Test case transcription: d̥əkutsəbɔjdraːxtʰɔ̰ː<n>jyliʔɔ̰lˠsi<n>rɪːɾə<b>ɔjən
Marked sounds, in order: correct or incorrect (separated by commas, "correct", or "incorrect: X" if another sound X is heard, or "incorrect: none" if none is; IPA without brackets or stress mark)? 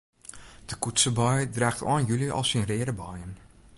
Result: correct, correct, correct